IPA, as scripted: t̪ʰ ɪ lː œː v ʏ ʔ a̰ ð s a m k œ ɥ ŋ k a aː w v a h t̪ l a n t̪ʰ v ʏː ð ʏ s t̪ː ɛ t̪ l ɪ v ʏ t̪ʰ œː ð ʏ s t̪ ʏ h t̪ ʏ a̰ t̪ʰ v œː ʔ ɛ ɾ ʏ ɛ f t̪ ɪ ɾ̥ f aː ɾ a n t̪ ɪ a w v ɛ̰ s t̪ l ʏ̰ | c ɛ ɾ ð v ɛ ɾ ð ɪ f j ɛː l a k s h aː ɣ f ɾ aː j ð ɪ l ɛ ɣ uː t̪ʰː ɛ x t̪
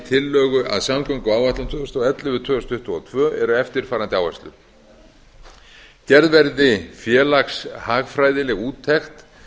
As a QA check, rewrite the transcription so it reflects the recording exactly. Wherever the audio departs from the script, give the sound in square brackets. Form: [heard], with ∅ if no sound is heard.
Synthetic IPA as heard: t̪ʰ ɪ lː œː [ɣ] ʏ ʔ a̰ ð s a m k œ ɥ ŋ k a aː w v a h t̪ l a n t̪ʰ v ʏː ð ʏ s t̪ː ɛ t̪ l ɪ v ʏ t̪ʰ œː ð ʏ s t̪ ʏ h t̪ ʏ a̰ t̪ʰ v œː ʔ ɛ ɾ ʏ ɛ f t̪ ɪ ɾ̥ f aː ɾ a n t̪ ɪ a w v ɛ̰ s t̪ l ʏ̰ | c ɛ ɾ ð v ɛ ɾ ð ɪ f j ɛː l a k s h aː ɣ f ɾ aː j ð ɪ l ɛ ɣ uː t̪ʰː ɛ x t̪